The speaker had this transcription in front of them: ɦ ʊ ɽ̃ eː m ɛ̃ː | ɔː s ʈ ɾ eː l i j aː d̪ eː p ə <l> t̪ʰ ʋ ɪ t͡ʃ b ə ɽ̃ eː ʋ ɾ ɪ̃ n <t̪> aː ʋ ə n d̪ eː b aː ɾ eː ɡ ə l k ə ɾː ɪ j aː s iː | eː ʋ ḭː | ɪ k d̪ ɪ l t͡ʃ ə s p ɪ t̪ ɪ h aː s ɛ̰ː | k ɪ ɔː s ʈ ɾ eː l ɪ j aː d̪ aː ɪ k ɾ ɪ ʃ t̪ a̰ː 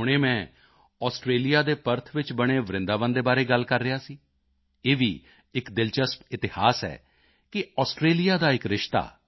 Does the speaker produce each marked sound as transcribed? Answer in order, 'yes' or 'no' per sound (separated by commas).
no, no